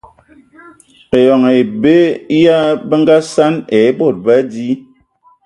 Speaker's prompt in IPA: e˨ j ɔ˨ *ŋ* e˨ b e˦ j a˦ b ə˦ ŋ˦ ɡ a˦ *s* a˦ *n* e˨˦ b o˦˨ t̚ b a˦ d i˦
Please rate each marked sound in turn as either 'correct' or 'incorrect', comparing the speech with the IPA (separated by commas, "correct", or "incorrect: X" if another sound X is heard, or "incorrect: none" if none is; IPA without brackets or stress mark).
correct, correct, correct